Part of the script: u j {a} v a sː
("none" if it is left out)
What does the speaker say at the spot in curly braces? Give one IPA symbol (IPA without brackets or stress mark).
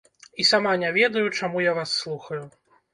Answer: a